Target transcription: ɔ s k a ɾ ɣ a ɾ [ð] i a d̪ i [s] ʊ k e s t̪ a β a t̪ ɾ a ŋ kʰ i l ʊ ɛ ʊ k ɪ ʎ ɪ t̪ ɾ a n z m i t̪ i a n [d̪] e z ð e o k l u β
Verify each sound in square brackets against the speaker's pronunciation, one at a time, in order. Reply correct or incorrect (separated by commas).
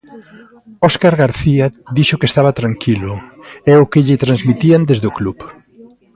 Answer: incorrect, incorrect, correct